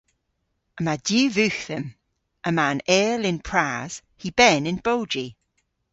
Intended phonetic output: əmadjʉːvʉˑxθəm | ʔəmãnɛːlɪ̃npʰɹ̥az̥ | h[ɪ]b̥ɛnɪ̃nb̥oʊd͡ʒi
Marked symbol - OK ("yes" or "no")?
no